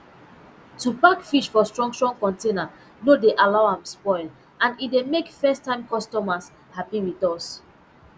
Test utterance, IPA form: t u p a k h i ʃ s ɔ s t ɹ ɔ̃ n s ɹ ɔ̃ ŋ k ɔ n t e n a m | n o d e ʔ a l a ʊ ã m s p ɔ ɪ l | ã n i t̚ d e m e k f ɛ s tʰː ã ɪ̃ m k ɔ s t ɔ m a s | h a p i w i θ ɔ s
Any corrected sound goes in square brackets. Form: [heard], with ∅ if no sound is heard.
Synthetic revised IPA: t u p a k [f] i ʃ [f] ɔ s t ɹ ɔ̃ [ŋ] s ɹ ɔ̃ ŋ k [ɔ̃] n t e n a [∅] | n o d e ʔ a l a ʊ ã m s p ɔ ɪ l | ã n i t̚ d e m e k f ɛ s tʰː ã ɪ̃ m k ɔ s t ɔ m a s | h a p i w i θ ɔ s

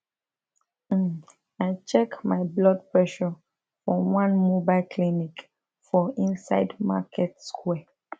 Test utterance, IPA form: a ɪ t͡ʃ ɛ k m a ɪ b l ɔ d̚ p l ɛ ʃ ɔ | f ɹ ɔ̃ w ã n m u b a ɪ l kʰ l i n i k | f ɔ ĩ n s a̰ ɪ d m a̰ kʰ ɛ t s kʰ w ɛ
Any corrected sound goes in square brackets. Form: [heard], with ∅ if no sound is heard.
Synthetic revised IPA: a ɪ t͡ʃ ɛ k m a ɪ b l ɔ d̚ p [ɹ] ɛ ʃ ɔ | f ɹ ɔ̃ w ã n m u b a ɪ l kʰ l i n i k | f ɔ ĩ n s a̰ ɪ d m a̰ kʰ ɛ t s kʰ w ɛ

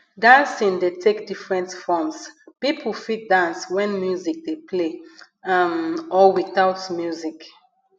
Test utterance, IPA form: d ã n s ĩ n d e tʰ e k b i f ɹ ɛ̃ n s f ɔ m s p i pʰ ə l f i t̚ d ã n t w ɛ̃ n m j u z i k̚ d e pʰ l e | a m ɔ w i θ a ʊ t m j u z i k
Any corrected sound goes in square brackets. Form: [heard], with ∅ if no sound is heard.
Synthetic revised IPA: d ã n s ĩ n d e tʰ e k [d] i f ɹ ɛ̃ n [t] f ɔ m s p i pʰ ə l f i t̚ d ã n [s] w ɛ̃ n m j u z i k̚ d e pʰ l e | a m ɔ w i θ a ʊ t m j u z i k

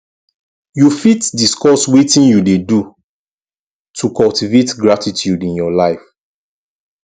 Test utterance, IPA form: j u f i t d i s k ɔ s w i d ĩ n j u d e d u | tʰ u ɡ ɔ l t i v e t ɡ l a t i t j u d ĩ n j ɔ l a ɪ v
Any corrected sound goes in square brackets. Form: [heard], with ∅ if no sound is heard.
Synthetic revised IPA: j u f i t d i s k ɔ s w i [t] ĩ n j u d e d u | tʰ u [k] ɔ l t i v e t ɡ [ɹ] a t i t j u d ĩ n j ɔ l a ɪ [f]

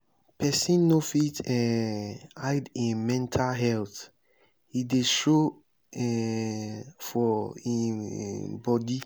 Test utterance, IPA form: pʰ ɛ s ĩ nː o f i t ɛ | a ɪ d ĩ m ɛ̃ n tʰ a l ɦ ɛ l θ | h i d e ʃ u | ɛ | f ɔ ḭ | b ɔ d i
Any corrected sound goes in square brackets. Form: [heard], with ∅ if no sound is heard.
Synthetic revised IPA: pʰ ɛ s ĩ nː o f i t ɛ | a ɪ d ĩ m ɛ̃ n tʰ a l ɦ ɛ l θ | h i d e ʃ [o] | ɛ | f ɔ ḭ | b ɔ d i

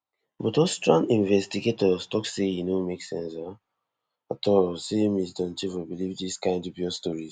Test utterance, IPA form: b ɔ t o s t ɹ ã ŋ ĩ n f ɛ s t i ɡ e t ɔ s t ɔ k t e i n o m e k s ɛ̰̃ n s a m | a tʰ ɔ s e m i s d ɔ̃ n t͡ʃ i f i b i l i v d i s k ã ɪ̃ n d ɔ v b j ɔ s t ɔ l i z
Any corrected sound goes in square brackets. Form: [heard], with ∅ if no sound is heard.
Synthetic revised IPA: b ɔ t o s t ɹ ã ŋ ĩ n [v] ɛ s t i ɡ e t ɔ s t ɔ k [s] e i n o m e k s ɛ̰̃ n s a [∅] | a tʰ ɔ s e m i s d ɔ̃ n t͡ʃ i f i b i l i v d i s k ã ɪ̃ n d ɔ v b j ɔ s t ɔ [ɹ] i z

